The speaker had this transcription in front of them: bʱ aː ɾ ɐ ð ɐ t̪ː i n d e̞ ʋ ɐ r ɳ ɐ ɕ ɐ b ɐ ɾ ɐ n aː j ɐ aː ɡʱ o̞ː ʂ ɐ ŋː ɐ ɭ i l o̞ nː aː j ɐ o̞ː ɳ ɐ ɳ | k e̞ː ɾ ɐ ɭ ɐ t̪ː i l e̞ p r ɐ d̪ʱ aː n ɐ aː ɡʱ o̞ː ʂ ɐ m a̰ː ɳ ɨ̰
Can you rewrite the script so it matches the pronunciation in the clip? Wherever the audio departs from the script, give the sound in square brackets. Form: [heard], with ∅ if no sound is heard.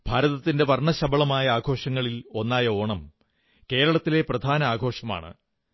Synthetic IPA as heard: bʱ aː ɾ ɐ ð ɐ t̪ː i n d e̞ ʋ ɐ r ɳ ɐ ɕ ɐ b ɐ [ɭ] ɐ [m] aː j ɐ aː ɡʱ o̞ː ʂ ɐ ŋː ɐ ɭ i l o̞ nː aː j ɐ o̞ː ɳ ɐ [m] | k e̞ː ɾ ɐ ɭ ɐ t̪ː i l e̞ p r ɐ d̪ʱ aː n ɐ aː ɡʱ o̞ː ʂ ɐ m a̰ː ɳ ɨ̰